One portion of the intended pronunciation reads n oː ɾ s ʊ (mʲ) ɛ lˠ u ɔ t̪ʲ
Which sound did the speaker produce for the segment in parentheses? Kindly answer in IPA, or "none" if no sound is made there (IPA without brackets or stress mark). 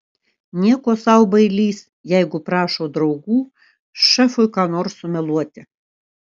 mʲ